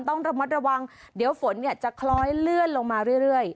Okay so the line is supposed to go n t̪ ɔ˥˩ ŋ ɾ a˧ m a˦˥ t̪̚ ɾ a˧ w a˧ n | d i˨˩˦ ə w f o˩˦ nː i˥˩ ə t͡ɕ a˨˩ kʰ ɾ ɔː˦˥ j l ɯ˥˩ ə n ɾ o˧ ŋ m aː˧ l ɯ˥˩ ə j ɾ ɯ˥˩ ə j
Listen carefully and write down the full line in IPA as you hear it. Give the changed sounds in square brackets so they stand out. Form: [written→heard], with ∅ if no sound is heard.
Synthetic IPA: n t̪ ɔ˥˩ ŋ ɾ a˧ m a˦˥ t̪̚ ɾ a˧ w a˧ [n→ŋ] | d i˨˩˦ ə w f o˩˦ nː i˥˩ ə t͡ɕ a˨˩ kʰ [ɾ→l] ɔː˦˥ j l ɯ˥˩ ə n [ɾ→l] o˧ ŋ m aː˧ [l→ɾ] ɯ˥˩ ə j ɾ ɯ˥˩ ə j